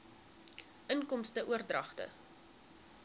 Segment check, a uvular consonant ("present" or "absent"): present